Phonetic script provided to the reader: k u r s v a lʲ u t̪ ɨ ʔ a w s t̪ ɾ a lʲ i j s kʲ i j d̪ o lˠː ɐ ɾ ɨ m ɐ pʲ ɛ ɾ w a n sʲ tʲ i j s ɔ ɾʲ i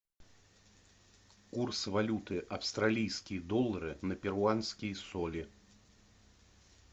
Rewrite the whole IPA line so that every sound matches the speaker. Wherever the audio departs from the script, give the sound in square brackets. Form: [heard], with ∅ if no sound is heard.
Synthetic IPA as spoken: k u r s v a lʲ u t̪ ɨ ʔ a w s t̪ ɾ a lʲ i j s kʲ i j d̪ [ɔ] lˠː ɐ ɾ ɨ [n] ɐ pʲ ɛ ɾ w a n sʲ [kʲ] i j s ɔ [lʲ] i